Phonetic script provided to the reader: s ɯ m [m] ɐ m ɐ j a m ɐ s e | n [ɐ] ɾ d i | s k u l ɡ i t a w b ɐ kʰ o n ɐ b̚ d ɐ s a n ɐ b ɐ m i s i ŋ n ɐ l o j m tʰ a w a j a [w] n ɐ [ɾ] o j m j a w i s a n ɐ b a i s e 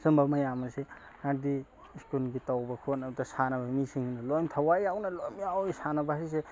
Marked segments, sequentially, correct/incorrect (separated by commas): incorrect, incorrect, correct, incorrect